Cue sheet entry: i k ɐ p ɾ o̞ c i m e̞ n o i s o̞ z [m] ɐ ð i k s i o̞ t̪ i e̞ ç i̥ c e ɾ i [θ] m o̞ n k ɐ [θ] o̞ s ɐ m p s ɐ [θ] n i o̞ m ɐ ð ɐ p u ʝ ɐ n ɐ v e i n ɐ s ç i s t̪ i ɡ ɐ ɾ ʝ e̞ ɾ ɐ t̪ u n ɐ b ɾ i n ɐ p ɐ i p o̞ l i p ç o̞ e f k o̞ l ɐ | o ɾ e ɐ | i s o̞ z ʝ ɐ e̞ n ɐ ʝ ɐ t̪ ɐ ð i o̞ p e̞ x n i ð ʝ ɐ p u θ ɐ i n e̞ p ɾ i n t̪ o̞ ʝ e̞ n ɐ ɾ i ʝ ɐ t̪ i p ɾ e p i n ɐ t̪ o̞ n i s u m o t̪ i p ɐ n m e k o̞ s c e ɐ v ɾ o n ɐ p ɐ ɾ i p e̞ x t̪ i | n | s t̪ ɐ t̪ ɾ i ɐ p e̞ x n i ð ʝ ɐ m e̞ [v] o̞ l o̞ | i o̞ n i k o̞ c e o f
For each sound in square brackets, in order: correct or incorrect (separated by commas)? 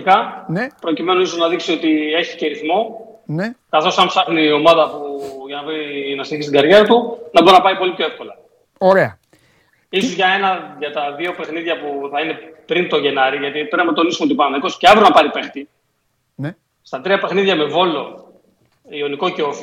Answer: incorrect, correct, correct, incorrect, correct